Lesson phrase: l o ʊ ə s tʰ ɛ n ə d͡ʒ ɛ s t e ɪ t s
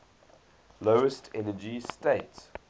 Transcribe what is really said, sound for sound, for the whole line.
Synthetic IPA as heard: l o ʊ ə s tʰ ɛ n ə d͡ʒ i s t e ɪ t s